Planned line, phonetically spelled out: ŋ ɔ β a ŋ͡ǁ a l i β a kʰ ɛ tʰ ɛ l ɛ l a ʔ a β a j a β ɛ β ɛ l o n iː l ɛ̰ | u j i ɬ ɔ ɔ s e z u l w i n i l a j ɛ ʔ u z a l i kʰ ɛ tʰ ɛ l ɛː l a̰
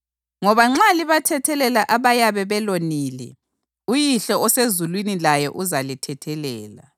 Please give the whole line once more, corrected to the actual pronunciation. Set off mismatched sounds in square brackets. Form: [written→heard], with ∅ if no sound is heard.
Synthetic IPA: ŋ ɔ β a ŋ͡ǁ a l i β a [kʰ→tʰ] ɛ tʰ ɛ l ɛ l a ʔ a β a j a β ɛ β ɛ l o n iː l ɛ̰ | u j i ɬ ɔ ɔ s e z u l w i n i l a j ɛ ʔ u z a l i [kʰ→tʰ] ɛ tʰ ɛ l ɛː l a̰